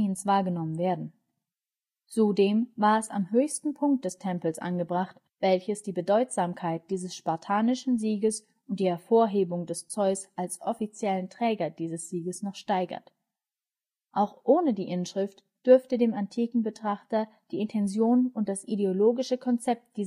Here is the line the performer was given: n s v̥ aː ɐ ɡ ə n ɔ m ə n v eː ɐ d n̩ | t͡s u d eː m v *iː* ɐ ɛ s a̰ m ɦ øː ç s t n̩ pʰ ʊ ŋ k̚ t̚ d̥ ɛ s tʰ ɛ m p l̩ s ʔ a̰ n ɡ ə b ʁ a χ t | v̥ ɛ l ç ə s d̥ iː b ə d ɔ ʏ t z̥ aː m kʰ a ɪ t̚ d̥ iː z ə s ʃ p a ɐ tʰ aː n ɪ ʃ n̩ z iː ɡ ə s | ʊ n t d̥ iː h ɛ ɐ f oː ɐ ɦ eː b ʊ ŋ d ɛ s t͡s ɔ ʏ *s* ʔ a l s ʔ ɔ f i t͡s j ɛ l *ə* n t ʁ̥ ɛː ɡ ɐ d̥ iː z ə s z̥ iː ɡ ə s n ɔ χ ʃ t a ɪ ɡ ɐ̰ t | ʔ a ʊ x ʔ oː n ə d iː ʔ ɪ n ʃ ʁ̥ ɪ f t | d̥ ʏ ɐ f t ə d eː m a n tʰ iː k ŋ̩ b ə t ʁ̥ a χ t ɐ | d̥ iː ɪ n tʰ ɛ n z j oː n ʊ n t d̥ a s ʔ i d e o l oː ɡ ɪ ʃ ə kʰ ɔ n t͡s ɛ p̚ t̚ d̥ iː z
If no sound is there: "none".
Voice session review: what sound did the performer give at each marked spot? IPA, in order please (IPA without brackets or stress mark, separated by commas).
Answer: aː, s, ə